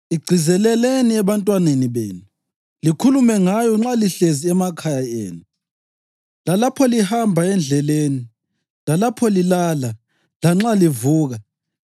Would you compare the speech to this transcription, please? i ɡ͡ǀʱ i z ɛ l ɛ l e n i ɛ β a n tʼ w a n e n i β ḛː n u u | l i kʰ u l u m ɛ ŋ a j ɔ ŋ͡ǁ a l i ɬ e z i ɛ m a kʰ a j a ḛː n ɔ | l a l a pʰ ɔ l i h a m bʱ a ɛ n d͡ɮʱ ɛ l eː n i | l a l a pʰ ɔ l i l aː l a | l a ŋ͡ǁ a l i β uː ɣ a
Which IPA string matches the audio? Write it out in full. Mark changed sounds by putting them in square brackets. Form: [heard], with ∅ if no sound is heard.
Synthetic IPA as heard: i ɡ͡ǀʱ i z ɛ l ɛ l e n i ɛ β a n tʼ w a n e n i β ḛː n u u | l i kʰ u l u m ɛ ŋ a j ɔ ŋ͡ǁ a l i ɬ e z i ɛ m a kʰ a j a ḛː n [u] | l a l a pʰ ɔ l i h a m bʱ a ɛ n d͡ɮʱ ɛ l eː n i | l a l a pʰ ɔ l i l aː l a | l a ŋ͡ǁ a l i [v] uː ɣ a